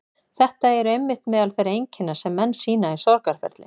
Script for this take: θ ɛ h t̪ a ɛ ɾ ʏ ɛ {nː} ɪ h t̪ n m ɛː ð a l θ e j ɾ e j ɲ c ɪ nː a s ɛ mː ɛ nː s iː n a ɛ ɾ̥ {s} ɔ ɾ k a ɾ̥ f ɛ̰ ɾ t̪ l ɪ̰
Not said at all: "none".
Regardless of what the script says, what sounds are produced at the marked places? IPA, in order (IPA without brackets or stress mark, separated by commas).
mː, s